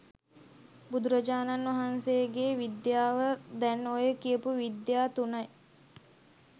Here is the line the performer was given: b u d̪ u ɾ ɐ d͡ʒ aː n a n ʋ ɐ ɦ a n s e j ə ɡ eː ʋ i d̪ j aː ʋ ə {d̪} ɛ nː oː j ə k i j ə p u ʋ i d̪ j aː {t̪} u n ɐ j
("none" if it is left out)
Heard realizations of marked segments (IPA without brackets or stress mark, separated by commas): d̪, t̪